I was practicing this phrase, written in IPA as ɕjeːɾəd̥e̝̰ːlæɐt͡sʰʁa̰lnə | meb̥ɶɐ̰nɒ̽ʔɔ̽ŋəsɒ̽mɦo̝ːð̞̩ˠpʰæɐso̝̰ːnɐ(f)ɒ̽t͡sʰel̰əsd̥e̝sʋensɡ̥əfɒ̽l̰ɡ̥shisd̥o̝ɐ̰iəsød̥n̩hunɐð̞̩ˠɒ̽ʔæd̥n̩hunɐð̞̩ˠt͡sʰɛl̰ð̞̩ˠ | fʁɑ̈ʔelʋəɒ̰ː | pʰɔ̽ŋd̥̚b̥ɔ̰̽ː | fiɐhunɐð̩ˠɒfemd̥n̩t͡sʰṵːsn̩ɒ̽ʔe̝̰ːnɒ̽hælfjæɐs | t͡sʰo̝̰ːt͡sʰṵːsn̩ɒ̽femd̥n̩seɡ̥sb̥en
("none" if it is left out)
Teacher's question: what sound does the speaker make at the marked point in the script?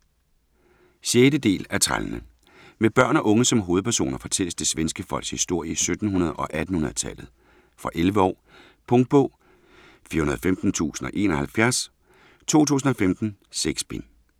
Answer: f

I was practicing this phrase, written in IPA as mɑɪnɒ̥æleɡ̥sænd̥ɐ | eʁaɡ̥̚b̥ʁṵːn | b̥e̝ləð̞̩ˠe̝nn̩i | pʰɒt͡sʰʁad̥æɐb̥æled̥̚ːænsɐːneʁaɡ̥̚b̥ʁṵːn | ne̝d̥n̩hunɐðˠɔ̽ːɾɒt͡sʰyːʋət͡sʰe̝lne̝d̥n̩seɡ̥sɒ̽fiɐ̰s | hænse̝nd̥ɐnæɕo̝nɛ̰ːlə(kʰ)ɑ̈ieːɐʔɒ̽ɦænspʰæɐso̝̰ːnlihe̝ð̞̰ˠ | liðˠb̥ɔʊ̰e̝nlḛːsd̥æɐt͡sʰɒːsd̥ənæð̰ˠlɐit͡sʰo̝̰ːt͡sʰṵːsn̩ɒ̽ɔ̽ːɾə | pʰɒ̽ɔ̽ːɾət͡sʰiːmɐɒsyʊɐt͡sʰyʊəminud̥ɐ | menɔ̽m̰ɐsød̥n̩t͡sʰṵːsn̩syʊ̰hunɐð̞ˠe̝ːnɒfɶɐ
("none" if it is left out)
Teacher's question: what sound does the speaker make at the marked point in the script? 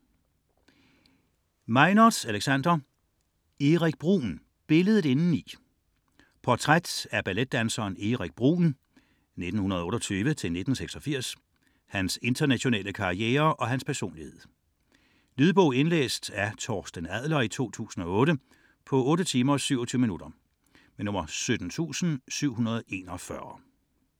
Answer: kʰ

